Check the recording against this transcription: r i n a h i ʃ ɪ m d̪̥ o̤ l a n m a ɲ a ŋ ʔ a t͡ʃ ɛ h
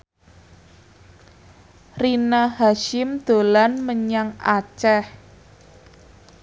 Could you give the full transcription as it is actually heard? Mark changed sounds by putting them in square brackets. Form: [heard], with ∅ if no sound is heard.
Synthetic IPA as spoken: r i n a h [a] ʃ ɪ m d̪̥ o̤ l a n m [ə] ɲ a ŋ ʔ a t͡ʃ ɛ h